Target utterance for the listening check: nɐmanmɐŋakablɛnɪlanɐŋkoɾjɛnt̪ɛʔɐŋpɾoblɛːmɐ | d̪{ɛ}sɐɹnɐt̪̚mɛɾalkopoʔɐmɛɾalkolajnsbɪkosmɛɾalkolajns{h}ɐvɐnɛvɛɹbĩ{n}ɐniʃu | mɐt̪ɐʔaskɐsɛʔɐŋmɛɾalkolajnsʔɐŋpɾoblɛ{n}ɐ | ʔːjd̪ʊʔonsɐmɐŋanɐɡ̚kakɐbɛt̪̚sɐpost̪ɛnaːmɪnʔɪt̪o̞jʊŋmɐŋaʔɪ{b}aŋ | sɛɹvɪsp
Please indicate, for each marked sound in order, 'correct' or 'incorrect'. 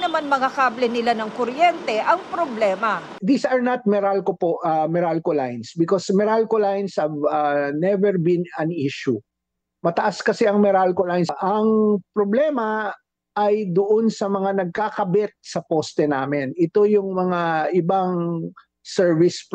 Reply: incorrect: i, correct, correct, incorrect: m, correct

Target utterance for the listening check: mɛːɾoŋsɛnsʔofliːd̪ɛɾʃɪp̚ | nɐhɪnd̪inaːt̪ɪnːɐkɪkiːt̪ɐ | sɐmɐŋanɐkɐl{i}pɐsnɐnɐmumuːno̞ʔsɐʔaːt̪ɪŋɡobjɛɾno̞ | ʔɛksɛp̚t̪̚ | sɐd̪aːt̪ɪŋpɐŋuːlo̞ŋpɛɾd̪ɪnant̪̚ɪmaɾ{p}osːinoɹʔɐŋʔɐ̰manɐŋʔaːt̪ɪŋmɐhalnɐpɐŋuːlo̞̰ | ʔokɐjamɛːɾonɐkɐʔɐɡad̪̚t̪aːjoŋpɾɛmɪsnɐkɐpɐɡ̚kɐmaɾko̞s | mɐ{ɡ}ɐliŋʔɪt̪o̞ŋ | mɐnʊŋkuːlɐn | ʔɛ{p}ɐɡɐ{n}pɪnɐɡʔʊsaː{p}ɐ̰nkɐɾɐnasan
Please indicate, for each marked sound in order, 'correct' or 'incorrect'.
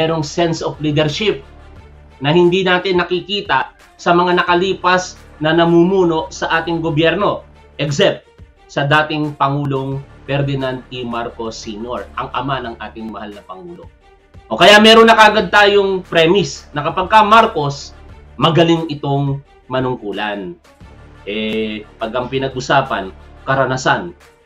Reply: incorrect: iː, incorrect: k, correct, correct, incorrect: ŋ, correct

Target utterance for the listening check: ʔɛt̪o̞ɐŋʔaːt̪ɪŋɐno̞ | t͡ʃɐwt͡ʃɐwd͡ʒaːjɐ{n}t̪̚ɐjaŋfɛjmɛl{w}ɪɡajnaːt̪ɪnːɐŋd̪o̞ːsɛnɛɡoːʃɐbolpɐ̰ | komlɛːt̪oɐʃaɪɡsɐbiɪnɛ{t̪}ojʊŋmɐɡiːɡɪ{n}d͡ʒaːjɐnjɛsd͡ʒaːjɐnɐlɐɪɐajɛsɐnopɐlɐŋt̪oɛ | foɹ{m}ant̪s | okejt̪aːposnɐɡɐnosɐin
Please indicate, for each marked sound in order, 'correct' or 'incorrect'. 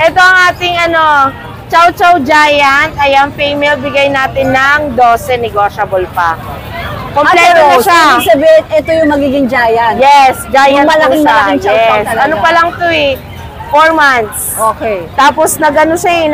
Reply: correct, incorrect: b, correct, incorrect: ŋ, correct

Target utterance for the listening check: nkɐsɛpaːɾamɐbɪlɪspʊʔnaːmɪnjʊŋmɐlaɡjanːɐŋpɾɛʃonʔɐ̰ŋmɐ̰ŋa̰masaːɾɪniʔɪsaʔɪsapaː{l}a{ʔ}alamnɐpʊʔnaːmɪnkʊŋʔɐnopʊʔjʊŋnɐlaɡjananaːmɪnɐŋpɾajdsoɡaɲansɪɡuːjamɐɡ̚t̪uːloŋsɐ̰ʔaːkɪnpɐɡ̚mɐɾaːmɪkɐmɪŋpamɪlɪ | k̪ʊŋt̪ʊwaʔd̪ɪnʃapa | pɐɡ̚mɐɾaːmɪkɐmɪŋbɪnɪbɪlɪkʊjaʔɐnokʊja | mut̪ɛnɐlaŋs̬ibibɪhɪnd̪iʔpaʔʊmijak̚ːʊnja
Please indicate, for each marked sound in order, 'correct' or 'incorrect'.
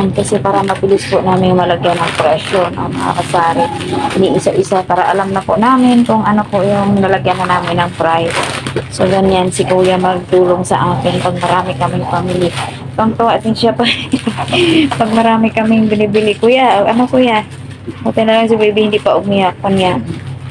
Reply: incorrect: ɾ, correct

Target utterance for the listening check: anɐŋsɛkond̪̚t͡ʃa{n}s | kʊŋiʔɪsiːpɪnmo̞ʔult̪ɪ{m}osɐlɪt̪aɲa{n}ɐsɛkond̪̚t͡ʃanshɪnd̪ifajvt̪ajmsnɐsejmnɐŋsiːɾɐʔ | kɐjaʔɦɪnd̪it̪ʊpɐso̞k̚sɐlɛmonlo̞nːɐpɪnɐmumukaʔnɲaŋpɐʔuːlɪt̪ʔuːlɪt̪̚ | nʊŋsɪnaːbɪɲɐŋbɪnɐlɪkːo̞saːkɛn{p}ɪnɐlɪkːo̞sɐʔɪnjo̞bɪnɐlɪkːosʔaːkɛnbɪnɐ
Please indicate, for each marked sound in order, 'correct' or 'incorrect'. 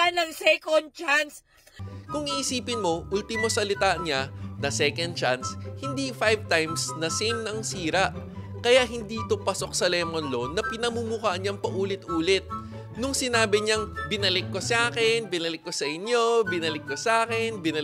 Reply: correct, correct, correct, incorrect: b

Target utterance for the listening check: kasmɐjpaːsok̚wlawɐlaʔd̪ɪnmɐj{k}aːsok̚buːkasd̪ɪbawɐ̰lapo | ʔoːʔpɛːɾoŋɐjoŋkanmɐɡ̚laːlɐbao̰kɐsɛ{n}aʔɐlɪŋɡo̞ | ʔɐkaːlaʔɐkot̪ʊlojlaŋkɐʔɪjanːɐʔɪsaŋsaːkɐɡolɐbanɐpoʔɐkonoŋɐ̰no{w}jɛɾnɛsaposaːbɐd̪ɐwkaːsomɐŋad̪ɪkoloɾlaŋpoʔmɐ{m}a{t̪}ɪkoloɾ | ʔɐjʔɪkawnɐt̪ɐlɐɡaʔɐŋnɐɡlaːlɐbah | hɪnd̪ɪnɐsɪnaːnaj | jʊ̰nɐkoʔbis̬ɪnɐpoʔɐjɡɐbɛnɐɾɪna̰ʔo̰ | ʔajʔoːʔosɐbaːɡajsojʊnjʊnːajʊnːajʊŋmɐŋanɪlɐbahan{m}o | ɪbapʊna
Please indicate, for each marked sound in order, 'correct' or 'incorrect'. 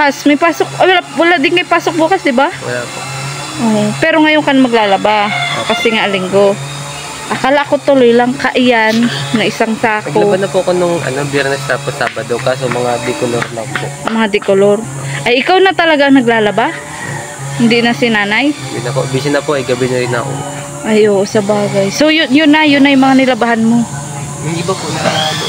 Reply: incorrect: p, incorrect: ŋ, incorrect: b, incorrect: ŋ, incorrect: d̪, correct

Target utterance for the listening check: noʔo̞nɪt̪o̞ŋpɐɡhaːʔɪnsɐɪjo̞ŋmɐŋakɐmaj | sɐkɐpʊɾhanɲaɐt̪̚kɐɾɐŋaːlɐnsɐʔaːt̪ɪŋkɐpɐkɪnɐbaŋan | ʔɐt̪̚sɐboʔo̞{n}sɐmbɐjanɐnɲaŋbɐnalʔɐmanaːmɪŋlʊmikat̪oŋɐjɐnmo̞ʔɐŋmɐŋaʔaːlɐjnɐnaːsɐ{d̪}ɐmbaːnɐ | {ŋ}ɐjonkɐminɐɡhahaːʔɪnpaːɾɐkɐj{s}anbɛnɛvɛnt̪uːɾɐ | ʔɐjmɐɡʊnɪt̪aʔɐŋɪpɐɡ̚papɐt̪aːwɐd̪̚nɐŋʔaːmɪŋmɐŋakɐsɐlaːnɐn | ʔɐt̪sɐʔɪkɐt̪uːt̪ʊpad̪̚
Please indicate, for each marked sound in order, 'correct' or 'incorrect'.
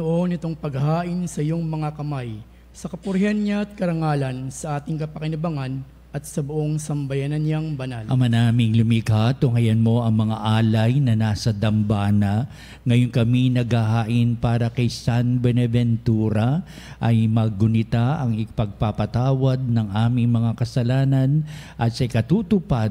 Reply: incorrect: ŋ, correct, correct, correct

